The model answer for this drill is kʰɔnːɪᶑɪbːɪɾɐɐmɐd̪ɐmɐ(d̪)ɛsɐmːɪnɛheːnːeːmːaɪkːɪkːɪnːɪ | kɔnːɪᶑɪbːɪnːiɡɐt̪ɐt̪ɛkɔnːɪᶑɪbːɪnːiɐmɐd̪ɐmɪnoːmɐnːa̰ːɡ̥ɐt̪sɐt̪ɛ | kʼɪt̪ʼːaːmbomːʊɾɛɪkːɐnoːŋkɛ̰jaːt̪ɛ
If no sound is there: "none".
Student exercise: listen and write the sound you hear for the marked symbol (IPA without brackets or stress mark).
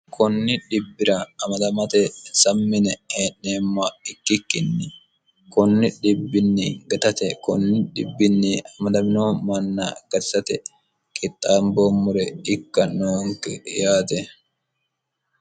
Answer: t̪